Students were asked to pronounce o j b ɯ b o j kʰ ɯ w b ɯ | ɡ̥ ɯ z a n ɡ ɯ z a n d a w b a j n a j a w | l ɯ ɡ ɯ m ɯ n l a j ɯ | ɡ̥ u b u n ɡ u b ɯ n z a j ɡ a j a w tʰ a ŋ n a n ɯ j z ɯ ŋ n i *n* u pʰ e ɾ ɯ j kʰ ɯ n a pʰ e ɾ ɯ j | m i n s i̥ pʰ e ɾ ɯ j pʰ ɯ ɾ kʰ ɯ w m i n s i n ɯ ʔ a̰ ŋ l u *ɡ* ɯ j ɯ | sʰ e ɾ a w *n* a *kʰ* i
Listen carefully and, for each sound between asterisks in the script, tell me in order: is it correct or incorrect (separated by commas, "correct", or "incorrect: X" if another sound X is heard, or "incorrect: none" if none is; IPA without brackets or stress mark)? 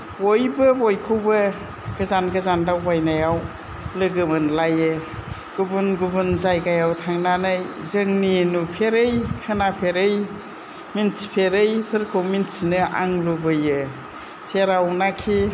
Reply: correct, incorrect: b, correct, correct